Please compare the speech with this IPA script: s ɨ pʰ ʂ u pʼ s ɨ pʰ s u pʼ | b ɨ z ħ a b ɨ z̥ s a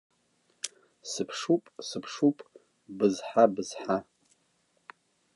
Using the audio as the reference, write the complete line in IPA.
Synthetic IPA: s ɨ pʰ ʂ u pʼ s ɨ pʰ ʂ u pʼ | b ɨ z ħ a b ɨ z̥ ħ a

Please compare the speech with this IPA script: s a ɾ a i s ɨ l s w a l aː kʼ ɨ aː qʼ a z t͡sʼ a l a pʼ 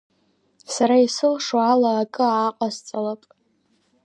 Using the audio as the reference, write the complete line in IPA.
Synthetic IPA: s a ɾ a i s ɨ l ʂ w a l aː kʼ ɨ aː qʼ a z t͡sʼ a l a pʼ

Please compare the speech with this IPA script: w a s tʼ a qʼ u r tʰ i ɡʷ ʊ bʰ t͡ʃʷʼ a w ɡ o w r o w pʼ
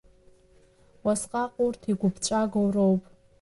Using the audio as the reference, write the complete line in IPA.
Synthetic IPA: w a s qʼ a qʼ u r tʰ i ɡʷ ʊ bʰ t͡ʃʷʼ a ɡ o w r o w pʼ

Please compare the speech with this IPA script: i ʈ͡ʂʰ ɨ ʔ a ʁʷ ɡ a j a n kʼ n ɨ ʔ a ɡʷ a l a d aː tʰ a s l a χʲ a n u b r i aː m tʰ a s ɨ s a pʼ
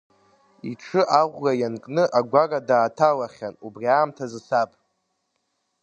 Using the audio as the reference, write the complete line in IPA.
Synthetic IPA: i ʈ͡ʂʰ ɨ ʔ a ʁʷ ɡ a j a n kʼ n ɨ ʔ a ɡʷ a r a d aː tʰ a l a χʲ a n u b r i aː m tʰ a z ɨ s a pʼ

